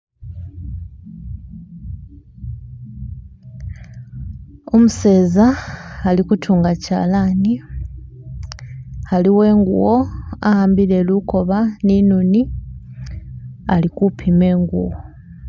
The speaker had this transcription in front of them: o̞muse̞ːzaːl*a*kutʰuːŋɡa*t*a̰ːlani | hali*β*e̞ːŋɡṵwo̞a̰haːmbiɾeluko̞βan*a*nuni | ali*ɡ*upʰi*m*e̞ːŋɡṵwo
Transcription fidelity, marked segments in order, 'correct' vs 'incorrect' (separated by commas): incorrect, incorrect, incorrect, incorrect, incorrect, correct